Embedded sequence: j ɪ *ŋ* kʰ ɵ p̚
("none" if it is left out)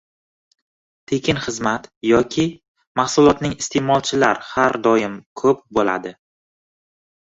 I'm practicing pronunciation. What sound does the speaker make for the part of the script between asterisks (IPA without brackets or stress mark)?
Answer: m